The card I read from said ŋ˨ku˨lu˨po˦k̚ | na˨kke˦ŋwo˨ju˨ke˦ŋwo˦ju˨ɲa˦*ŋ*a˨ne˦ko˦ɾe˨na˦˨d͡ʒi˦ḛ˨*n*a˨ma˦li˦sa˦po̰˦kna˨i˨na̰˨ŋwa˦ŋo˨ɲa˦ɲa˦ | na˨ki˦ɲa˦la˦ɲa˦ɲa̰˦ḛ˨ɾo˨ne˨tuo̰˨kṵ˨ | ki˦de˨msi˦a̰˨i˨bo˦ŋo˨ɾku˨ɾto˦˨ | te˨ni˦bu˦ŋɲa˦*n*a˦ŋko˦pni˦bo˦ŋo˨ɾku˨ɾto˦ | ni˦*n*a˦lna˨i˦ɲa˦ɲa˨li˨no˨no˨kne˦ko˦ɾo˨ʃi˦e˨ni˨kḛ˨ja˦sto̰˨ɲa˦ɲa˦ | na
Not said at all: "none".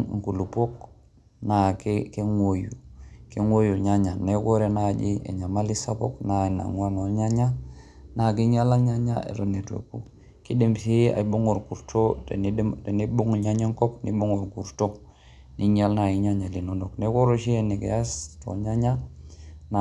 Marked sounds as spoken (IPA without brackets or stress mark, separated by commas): ɲ, ɲ, ɲ, ɲ